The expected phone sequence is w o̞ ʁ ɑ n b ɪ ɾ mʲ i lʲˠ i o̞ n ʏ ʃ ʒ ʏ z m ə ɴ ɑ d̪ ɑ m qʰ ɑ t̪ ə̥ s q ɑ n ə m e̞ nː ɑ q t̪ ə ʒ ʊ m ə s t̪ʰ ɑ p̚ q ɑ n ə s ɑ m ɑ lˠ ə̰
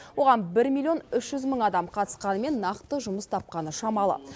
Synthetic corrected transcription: w o̞ ʁ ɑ n b ɪ ɾ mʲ i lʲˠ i o̞ n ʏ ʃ ʒ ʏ z m ə ɴ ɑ d̪ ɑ m qʰ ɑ t̪ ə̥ s q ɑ n ə m e̞ nː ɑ q t̪ ə ʒ ʊ m ə s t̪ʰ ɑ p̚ q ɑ n ə ʃ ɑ m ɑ lˠ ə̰